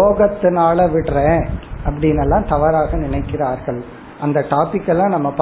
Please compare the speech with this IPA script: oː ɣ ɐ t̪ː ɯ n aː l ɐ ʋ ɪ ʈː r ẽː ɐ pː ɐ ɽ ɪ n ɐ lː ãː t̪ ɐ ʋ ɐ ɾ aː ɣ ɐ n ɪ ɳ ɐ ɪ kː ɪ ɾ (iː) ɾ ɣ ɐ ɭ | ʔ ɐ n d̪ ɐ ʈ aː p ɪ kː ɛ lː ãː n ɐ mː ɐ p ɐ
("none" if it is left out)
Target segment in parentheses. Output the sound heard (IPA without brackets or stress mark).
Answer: aː